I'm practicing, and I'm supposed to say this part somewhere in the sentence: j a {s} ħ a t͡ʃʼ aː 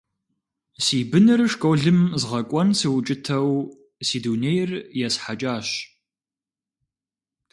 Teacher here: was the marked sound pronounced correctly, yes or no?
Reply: yes